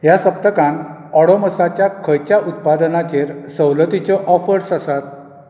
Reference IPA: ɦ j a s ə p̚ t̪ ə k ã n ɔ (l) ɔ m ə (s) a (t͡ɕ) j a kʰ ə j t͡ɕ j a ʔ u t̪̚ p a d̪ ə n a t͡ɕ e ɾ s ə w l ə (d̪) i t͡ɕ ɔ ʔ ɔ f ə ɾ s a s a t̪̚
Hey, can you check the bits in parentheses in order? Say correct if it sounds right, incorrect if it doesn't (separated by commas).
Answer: incorrect, correct, correct, incorrect